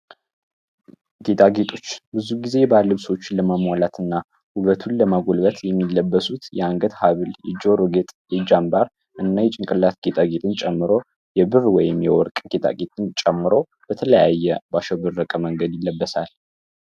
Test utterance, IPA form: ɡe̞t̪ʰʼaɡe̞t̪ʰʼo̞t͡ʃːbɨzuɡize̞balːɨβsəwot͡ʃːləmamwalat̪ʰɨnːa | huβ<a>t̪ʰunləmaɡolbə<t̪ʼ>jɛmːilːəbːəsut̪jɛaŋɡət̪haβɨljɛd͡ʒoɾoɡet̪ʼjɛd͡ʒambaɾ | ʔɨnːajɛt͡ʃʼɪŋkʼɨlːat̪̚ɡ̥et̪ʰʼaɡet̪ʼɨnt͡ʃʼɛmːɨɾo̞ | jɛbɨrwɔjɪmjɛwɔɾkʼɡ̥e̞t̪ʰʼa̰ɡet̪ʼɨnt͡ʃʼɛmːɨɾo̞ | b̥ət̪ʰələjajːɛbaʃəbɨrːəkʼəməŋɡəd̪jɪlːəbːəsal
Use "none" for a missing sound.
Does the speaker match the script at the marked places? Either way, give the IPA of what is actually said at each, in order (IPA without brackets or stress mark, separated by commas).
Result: ə, t̪